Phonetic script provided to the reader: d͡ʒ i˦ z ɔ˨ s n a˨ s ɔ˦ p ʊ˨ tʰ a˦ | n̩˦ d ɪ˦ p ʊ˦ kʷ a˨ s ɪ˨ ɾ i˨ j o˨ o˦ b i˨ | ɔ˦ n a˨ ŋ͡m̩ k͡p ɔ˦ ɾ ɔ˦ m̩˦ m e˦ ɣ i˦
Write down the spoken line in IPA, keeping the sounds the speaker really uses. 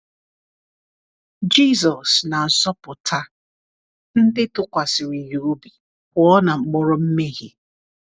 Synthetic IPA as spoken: d͡ʒ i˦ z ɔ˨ s n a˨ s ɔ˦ p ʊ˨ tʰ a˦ | n̩˦ d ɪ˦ t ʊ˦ kʷ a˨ s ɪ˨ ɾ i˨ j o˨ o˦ b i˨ | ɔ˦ n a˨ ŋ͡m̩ k͡p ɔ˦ ɾ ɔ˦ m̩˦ m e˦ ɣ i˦